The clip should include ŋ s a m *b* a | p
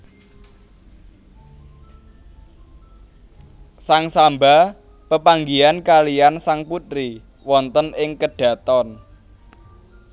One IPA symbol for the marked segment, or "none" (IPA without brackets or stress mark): b